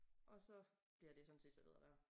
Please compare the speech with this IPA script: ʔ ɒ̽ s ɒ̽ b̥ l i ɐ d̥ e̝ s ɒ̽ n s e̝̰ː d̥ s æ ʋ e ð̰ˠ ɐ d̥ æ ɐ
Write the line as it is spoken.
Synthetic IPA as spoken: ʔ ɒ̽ s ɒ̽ b̥ l i ɐ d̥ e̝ s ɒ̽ n s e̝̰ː d̥ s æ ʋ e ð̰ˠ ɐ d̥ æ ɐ